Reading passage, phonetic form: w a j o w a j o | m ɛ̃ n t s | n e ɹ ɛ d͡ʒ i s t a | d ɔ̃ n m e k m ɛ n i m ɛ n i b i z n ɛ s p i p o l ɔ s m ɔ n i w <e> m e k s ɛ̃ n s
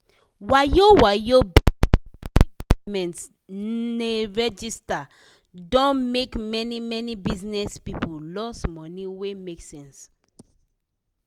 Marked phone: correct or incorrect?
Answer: correct